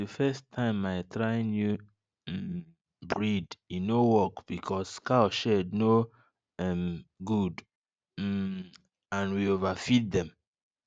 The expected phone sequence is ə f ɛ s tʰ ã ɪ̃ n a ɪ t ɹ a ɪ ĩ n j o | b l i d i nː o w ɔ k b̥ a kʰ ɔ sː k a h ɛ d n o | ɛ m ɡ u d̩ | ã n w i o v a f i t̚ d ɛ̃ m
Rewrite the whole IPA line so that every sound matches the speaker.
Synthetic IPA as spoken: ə f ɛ s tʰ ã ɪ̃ m a ɪ t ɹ a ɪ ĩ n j u | b ɹ i d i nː o w ɔ k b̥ i kʰ ɔ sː k a ʃ ɛ d n o | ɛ m ɡ u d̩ | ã n w i o v a f i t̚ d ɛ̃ m